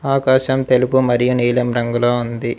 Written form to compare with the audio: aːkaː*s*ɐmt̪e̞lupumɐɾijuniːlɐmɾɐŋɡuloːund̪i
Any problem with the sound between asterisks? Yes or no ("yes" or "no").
yes